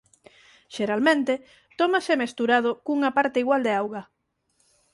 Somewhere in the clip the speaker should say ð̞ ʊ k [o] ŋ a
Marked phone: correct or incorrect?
incorrect